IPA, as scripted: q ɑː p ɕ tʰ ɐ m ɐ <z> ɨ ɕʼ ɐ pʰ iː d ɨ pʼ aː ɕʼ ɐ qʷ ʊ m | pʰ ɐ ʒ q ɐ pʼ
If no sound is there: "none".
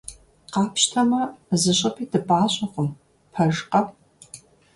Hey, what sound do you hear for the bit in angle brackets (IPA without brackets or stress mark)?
z